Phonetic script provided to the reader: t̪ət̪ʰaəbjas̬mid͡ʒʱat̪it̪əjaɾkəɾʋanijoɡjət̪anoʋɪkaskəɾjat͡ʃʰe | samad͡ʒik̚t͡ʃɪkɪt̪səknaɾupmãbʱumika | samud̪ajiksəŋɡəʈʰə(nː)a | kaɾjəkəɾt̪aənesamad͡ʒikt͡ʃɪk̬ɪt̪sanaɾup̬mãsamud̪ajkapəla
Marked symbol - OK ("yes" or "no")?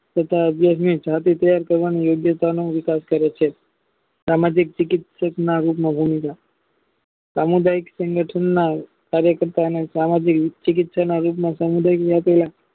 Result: yes